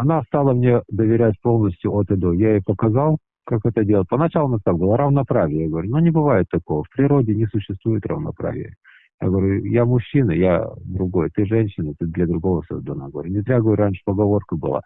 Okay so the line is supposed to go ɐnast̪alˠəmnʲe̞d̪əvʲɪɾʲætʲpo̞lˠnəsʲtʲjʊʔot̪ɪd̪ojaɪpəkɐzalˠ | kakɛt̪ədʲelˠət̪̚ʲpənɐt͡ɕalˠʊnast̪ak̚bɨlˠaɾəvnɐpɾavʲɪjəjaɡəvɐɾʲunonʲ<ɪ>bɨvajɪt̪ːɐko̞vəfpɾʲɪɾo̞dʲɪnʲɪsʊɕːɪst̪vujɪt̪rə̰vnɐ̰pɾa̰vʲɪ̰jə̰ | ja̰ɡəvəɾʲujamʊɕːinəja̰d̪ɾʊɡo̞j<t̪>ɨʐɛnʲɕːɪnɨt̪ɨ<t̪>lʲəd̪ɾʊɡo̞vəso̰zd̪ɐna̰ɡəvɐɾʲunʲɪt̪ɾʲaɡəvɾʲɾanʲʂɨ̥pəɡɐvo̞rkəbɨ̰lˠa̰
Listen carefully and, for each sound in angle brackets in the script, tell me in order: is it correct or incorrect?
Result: correct, correct, incorrect

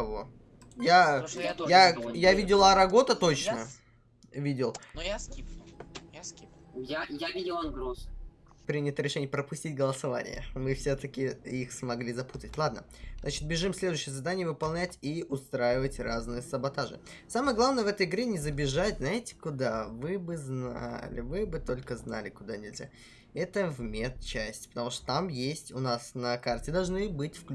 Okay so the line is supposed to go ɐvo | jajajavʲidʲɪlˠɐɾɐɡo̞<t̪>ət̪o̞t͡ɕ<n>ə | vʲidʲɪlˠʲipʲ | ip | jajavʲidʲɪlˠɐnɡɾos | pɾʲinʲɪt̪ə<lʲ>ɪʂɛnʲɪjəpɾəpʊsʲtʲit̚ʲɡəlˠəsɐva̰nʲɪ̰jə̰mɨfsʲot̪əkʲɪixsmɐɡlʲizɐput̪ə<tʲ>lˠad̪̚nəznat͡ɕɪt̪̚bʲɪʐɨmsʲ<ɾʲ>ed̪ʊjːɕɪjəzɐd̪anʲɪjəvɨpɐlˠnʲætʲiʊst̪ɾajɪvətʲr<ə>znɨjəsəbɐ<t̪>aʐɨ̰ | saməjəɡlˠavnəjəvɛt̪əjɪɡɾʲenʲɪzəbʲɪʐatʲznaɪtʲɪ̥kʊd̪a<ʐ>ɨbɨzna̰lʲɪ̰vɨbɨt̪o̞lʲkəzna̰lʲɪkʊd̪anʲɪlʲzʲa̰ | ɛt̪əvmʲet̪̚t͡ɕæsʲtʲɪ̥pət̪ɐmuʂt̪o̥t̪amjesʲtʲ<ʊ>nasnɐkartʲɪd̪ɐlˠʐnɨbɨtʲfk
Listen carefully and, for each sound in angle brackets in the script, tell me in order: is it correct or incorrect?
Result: correct, correct, incorrect, correct, incorrect, incorrect, correct, incorrect, correct

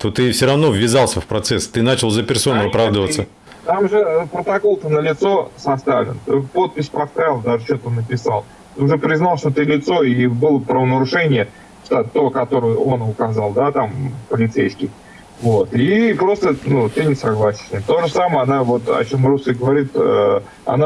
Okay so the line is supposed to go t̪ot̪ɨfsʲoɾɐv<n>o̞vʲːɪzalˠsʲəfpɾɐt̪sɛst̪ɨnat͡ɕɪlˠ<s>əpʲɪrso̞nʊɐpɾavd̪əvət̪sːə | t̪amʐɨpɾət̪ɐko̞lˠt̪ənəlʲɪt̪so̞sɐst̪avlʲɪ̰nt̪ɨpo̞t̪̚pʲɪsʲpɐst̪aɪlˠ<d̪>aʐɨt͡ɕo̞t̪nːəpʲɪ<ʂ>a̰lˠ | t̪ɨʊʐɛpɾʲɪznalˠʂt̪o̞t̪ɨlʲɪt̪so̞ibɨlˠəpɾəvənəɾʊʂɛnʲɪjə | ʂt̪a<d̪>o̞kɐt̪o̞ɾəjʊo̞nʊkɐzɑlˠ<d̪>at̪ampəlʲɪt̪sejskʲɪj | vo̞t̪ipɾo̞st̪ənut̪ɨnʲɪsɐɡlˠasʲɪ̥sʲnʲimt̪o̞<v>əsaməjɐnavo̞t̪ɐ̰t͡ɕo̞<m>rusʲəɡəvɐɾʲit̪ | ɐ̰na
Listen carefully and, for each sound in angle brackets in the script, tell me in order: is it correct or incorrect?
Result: correct, incorrect, correct, incorrect, incorrect, correct, incorrect, correct

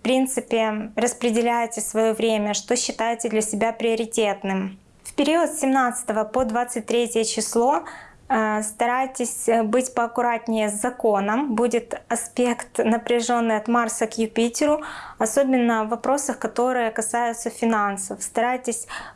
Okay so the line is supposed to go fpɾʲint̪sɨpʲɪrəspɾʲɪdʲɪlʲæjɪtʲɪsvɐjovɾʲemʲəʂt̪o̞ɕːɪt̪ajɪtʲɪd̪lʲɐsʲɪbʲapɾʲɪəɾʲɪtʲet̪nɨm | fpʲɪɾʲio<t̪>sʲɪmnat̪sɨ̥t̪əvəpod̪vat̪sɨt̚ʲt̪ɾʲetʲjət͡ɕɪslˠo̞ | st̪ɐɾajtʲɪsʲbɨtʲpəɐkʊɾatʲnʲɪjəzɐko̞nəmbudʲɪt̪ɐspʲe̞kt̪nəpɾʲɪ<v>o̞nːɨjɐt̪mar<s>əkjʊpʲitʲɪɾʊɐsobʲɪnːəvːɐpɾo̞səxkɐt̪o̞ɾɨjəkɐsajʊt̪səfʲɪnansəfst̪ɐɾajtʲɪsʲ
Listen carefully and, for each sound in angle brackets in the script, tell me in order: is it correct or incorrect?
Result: correct, incorrect, correct

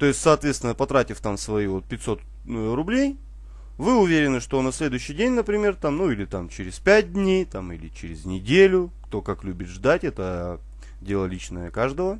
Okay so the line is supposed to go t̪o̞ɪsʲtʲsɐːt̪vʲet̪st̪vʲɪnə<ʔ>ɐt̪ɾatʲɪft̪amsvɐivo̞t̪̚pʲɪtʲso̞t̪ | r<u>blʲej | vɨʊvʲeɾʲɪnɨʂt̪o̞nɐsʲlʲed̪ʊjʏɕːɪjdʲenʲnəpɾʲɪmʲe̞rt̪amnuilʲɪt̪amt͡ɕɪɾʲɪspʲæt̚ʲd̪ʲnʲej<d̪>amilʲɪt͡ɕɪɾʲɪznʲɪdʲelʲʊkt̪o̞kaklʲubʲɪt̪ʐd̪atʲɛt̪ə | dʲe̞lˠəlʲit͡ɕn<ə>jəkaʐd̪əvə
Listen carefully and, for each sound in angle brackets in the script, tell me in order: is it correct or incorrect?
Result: incorrect, incorrect, incorrect, correct

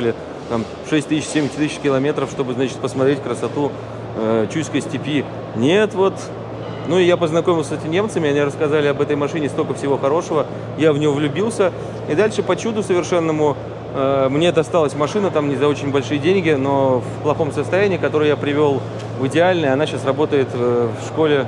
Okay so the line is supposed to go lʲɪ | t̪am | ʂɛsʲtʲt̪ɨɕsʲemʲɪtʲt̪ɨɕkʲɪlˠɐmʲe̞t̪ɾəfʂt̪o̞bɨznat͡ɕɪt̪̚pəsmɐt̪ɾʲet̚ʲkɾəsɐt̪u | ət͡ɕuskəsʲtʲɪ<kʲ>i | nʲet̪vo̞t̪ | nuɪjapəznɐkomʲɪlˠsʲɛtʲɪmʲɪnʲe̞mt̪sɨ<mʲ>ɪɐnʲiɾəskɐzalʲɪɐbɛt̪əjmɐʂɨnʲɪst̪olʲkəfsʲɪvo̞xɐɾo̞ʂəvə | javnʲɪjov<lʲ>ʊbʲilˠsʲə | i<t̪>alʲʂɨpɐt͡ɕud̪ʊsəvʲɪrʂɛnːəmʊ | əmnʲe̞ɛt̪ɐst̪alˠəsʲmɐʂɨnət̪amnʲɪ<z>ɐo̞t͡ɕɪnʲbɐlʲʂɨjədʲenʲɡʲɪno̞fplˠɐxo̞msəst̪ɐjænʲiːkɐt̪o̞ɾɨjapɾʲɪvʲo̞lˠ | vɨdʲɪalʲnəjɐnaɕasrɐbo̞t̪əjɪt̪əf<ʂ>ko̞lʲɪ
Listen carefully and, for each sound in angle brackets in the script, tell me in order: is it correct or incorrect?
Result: incorrect, correct, correct, incorrect, correct, correct

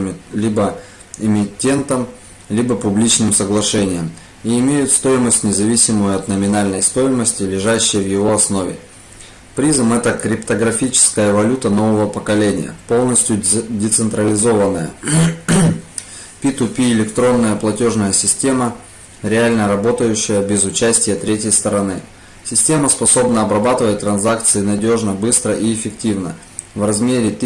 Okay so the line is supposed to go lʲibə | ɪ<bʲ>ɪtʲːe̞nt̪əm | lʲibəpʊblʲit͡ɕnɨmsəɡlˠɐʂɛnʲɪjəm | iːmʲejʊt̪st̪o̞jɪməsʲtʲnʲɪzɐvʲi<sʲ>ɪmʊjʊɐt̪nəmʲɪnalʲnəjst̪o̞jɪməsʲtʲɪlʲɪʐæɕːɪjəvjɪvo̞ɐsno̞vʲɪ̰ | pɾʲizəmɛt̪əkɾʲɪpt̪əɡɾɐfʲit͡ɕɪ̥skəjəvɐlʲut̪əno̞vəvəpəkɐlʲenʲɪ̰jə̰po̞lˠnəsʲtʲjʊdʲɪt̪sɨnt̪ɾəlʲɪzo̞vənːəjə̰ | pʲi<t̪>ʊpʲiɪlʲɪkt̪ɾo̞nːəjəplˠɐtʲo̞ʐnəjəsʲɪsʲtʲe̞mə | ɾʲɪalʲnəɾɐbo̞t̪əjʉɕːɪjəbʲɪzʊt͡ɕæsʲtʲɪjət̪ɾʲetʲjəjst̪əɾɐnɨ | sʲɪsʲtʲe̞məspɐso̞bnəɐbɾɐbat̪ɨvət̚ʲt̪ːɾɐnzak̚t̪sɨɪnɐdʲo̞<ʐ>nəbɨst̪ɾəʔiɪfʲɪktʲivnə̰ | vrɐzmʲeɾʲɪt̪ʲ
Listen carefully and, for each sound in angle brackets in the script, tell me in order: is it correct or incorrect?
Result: incorrect, correct, correct, correct

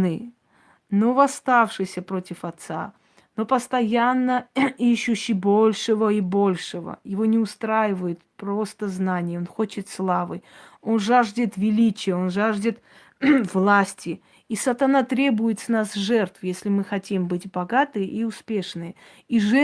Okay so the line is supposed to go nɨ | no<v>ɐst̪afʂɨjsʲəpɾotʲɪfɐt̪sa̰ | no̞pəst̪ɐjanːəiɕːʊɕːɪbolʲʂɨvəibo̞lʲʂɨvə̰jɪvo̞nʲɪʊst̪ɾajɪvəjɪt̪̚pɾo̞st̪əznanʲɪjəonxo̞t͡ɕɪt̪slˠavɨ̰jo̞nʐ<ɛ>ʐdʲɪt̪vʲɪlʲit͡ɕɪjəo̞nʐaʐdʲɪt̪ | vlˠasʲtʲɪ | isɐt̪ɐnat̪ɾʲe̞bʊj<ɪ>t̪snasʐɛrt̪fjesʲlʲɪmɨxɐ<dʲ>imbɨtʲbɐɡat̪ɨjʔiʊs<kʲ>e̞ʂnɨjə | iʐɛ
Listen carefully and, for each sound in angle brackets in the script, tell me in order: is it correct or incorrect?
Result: correct, incorrect, correct, incorrect, incorrect

